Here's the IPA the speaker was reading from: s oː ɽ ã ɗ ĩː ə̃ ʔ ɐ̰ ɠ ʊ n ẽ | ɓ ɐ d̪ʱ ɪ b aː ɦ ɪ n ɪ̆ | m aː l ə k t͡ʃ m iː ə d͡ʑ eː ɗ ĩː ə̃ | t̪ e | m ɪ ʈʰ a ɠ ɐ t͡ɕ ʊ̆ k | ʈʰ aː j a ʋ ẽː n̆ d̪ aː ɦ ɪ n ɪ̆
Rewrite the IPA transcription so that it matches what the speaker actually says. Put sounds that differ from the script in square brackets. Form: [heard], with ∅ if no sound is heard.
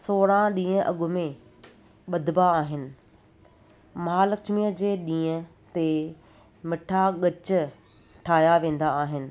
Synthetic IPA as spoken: s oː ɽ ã ɗ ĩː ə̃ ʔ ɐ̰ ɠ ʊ [m] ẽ | ɓ ɐ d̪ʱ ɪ b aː ɦ ɪ n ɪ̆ | m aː l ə k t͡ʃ m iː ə d͡ʑ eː ɗ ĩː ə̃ | t̪ e | m ɪ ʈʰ a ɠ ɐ t͡ɕ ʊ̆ [∅] | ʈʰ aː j a ʋ ẽː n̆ d̪ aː ɦ ɪ n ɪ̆

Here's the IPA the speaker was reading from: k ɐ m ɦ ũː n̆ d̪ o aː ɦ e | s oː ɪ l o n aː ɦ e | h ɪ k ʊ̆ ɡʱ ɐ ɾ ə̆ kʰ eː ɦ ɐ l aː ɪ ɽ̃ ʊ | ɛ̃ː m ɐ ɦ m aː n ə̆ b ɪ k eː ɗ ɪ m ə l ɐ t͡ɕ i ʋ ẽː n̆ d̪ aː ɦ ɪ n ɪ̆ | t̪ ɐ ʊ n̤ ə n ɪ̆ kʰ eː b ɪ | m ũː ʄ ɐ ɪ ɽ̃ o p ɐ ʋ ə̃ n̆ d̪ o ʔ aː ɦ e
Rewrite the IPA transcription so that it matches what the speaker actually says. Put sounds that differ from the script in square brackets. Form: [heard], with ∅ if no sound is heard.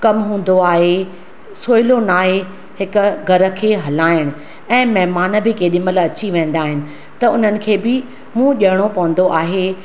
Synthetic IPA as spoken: k ɐ m ɦ ũː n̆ d̪ o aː ɦ e | s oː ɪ l o n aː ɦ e | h ɪ k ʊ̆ ɡʱ ɐ ɾ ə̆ kʰ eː ɦ ɐ l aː ɪ ɽ̃ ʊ | ɛ̃ː m ɐ ɦ m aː n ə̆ b ɪ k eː ɗ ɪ m ə l ɐ t͡ɕ i ʋ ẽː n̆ d̪ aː ɦ ɪ n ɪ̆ | t̪ ɐ ʊ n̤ ə n ɪ̆ kʰ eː b ɪ | m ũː ʄ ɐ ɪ ɽ̃ o p ɐ ʋ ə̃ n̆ d̪ o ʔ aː ɦ e

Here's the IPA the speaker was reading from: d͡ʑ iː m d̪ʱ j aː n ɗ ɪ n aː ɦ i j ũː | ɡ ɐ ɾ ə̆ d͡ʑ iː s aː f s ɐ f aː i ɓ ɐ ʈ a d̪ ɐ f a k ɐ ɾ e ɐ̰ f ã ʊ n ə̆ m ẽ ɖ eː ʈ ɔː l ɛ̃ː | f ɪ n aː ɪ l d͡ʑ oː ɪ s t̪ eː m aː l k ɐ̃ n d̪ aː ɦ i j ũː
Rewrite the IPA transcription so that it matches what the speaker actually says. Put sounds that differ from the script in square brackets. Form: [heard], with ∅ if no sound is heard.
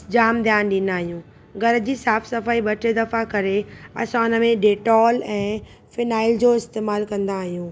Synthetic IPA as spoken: d͡ʑ [aː] m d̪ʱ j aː n ɗ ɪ n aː ɦ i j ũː | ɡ ɐ ɾ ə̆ d͡ʑ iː s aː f s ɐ f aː i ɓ ɐ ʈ [e] d̪ ɐ f a k ɐ ɾ e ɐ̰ [s] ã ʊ n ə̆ m ẽ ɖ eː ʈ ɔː l ɛ̃ː | f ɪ n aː ɪ l d͡ʑ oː ɪ s t̪ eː m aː l k ɐ̃ n d̪ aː ɦ i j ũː

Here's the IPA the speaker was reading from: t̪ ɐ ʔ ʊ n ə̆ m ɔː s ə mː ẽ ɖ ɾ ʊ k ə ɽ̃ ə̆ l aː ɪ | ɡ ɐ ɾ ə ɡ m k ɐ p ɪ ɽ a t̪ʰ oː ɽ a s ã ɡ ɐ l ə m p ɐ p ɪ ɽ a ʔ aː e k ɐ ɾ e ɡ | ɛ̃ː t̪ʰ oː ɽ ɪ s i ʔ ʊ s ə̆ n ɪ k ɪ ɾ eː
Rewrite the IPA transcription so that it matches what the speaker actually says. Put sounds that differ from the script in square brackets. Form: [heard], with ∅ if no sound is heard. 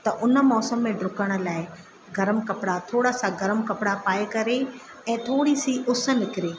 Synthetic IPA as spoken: t̪ ɐ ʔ ʊ n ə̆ m ɔː s ə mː ẽ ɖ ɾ ʊ k ə ɽ̃ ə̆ l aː ɪ | ɡ ɐ ɾ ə [∅] m k ɐ p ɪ ɽ a t̪ʰ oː ɽ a s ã ɡ ɐ [ɾ] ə m [k] ɐ p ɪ ɽ a [p] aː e k ɐ ɾ e [∅] | ɛ̃ː t̪ʰ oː ɽ [i] s i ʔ ʊ s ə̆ n ɪ k ɪ ɾ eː

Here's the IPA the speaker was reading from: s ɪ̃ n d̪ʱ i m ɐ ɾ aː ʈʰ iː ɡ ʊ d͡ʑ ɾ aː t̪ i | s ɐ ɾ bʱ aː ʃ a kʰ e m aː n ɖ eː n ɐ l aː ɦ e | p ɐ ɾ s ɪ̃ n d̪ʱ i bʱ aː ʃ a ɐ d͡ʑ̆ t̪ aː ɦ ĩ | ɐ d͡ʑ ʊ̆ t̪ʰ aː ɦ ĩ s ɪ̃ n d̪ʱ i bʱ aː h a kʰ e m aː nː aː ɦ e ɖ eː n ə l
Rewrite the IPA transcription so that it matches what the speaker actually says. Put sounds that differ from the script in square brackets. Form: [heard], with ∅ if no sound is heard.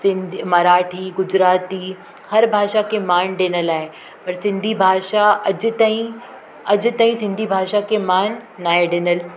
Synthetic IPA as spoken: s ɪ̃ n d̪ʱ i m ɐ ɾ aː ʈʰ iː ɡ ʊ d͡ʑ ɾ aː t̪ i | [h] ɐ ɾ bʱ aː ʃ a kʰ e m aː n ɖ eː n [ə] l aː ɦ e | p ɐ ɾ s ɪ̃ n d̪ʱ i bʱ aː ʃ a ɐ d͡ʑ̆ t̪ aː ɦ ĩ | ɐ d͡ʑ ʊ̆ [t̪] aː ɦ ĩ s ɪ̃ n d̪ʱ i bʱ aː [ʃ] a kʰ e m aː nː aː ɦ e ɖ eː n ə l

